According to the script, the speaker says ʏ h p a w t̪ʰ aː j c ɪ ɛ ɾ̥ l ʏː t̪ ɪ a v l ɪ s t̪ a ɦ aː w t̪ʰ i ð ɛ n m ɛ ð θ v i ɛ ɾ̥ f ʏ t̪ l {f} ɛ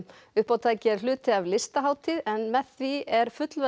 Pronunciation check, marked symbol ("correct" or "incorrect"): incorrect